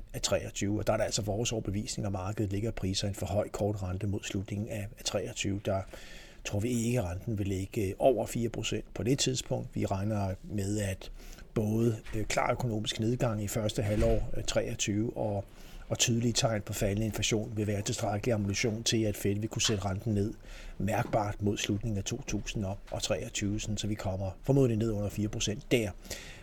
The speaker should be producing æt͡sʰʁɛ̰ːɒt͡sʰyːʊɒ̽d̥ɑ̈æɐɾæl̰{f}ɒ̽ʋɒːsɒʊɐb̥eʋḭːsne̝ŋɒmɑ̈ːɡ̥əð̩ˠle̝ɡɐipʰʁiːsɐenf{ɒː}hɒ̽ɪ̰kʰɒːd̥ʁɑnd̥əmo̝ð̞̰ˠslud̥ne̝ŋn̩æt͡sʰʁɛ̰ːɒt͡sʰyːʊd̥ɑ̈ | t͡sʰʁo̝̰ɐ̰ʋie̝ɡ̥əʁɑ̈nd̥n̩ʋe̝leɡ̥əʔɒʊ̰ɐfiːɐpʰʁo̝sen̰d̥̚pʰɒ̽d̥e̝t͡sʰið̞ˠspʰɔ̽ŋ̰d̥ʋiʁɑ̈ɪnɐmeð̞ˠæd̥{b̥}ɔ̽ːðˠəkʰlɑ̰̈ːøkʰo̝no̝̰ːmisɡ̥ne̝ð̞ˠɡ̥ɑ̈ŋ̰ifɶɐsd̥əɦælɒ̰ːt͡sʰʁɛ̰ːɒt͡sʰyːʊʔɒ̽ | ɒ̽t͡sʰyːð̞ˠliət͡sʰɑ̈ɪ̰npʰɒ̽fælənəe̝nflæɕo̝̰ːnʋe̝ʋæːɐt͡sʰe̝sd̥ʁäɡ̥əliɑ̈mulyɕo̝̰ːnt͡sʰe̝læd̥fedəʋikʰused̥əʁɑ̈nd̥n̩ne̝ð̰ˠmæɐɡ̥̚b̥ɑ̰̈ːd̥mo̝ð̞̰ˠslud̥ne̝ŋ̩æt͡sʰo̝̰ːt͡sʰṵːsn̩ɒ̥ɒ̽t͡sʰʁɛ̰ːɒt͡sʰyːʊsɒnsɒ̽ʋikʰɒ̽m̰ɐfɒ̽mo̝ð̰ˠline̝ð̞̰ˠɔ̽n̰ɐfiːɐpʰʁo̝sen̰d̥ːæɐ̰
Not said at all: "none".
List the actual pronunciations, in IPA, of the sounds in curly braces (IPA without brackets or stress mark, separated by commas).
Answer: s, ɒ, b̥